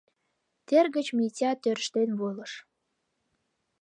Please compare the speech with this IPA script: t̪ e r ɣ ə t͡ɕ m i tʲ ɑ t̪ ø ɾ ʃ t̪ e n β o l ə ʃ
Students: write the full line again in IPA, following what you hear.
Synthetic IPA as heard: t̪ e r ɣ ə t͡ɕ m i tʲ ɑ t̪ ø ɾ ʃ t̪ e n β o l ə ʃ